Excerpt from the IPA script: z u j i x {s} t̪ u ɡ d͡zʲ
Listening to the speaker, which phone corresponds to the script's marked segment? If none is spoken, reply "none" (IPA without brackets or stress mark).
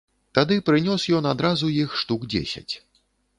ʂ